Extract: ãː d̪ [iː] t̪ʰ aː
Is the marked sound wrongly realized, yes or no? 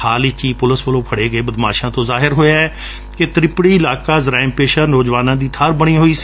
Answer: no